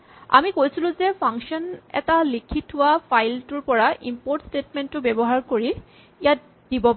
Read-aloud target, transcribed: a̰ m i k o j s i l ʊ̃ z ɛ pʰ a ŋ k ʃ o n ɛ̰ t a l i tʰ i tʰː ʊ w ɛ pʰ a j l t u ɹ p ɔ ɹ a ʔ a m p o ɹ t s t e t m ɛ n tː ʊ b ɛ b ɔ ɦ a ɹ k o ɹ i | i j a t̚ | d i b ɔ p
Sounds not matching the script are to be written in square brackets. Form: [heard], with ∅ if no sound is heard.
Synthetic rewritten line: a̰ m i k o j s i l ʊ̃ z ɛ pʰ a ŋ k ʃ [ɔ] n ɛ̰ t a l i [kʰ] i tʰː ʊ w [a] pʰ a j l t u ɹ p ɔ ɹ a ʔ [i] m p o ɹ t s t e t m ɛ n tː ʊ b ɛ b ɔ ɦ a ɹ k o ɹ i | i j a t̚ | d i b ɔ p

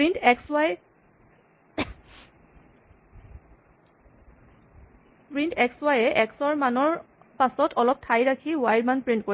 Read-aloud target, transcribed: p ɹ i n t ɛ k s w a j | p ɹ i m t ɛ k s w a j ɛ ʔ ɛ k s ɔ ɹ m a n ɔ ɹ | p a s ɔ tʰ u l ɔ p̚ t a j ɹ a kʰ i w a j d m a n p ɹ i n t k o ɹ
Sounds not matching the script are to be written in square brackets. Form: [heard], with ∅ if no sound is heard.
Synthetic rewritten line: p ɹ i n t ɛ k s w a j | p ɹ i [n] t ɛ k s w a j ɛ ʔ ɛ k s ɔ ɹ m a n ɔ ɹ | p a s ɔ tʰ [ɔ] l ɔ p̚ [tʰ] a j ɹ a kʰ i w a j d m a n p ɹ i n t k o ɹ

